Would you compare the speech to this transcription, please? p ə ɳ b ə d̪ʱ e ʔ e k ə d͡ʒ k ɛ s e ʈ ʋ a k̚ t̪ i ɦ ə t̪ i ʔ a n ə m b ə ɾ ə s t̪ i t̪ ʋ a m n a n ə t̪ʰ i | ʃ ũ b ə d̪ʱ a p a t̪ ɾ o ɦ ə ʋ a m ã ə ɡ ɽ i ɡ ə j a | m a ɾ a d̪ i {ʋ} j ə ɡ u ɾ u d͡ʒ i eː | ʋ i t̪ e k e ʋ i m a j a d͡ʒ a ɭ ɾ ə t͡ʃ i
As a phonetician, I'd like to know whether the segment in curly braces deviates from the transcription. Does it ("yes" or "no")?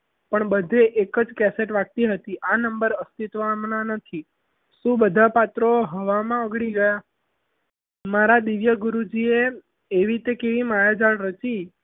no